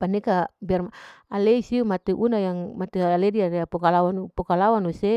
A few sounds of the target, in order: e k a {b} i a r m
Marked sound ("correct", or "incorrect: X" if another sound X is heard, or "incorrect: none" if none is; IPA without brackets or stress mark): correct